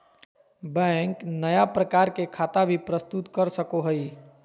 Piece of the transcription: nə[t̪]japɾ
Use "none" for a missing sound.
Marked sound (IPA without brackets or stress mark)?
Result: none